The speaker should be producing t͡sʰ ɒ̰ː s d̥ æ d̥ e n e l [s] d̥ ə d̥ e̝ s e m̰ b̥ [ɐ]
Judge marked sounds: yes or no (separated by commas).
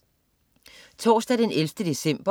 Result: no, yes